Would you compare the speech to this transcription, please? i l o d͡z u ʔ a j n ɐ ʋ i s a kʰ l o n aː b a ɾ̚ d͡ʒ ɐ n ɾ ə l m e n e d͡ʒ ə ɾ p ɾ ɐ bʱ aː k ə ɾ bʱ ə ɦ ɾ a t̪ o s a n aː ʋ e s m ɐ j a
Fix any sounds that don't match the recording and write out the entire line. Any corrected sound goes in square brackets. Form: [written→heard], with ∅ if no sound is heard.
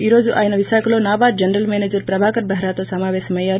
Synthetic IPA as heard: i [l→ɾ] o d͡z u ʔ a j n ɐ ʋ i s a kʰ l o n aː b a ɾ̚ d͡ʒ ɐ n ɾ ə l m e n e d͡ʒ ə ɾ p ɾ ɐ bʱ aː k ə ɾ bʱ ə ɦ ɾ a t̪ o s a [n→m] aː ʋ e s m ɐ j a